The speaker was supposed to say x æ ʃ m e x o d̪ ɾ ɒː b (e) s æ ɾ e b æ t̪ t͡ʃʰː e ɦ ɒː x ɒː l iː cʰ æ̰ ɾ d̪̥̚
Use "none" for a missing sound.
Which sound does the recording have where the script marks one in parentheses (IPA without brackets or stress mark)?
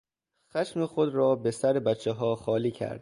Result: e